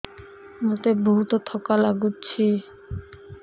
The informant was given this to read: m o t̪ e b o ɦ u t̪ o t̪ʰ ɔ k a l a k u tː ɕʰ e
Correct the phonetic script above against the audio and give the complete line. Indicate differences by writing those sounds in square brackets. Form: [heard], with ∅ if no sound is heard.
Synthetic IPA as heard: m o t̪ e b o ɦ u t̪ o t̪ʰ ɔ k a l a [ɡ] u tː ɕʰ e